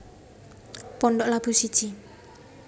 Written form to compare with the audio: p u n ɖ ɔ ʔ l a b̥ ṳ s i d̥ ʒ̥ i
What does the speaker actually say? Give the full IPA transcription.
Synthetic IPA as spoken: p ɔ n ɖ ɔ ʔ l a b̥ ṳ s i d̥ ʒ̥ i